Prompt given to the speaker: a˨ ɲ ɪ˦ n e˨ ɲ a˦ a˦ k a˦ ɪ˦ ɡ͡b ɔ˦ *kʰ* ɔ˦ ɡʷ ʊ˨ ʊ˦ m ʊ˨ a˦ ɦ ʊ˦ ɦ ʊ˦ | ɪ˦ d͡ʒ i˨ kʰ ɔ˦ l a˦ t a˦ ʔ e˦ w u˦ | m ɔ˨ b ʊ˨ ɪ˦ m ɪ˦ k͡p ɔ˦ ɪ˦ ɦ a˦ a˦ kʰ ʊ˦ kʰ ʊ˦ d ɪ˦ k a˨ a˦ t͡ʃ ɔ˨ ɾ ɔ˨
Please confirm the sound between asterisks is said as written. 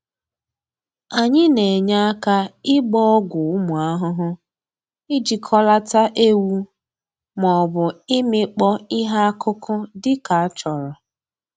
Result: no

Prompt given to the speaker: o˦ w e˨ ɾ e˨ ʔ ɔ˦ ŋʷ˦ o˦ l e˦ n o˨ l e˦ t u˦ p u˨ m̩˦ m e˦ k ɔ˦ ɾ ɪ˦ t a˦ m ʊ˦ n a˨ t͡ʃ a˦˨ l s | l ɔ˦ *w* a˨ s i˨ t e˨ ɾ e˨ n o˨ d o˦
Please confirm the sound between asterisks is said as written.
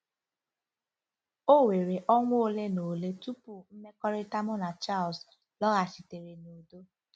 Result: no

